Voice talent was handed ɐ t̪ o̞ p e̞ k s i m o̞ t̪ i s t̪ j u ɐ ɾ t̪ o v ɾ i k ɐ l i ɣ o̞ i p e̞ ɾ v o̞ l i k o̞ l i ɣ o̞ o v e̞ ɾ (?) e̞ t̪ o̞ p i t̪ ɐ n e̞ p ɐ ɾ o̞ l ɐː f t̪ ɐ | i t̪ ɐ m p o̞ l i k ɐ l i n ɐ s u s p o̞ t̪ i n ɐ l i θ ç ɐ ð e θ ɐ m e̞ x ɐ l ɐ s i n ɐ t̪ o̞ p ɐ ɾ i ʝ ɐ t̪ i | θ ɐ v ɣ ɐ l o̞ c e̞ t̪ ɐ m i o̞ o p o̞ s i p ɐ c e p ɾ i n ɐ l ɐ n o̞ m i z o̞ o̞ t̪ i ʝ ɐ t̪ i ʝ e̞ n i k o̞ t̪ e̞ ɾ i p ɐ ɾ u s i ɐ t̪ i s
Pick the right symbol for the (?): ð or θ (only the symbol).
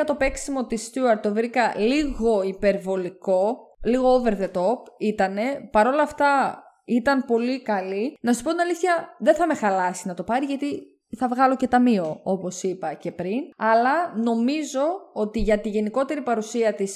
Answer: ð